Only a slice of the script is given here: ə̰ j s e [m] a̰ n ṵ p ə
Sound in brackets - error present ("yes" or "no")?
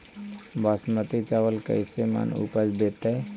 no